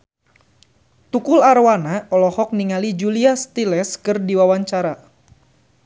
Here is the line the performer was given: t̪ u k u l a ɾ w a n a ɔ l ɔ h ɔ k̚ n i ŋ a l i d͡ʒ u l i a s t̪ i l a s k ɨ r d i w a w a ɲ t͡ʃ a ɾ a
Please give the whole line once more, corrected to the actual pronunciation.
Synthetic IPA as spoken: t̪ u k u l a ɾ w a n a ɔ l ɔ h ɔ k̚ n i ŋ a l i d͡ʒ u l i a s t̪ i l ɛ s k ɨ r d i w a w a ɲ t͡ʃ a ɾ a